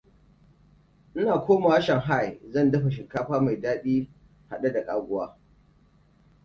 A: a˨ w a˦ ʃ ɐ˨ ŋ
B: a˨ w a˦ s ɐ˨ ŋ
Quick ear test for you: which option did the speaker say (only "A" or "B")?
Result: A